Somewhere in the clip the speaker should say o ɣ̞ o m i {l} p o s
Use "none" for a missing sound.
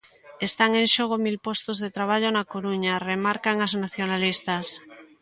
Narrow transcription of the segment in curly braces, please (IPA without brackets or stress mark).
l